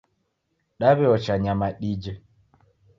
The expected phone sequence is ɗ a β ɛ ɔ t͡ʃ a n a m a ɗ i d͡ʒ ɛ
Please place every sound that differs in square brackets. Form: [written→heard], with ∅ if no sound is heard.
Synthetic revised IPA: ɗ a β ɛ ɔ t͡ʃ a [n→ɲ] a m a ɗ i d͡ʒ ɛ